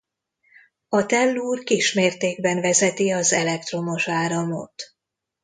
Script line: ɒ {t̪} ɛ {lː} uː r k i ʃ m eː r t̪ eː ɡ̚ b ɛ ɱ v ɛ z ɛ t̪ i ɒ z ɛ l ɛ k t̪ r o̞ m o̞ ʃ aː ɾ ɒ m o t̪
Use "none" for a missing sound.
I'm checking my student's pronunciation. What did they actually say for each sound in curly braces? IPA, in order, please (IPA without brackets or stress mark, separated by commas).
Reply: t̪, lː